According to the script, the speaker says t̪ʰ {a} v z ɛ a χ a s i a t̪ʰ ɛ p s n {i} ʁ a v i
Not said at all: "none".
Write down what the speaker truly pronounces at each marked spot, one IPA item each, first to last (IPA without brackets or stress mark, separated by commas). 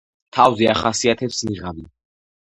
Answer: a, i